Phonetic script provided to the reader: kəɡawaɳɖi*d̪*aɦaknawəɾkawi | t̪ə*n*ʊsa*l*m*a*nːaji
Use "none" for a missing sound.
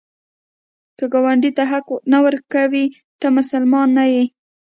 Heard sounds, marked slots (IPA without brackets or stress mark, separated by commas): t̪, m, l, ɑ